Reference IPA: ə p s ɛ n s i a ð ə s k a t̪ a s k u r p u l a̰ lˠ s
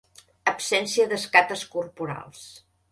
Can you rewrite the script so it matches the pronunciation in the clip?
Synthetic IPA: ə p s ɛ n s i ə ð ə s k a t̪ ə s k u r p u ɾ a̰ lˠ s